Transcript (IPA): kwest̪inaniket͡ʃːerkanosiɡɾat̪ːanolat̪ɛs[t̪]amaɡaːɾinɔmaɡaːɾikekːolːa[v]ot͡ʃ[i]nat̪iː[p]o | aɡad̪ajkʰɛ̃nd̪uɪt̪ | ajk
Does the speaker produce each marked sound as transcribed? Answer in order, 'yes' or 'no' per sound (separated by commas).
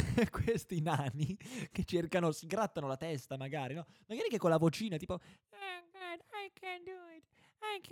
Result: yes, yes, no, yes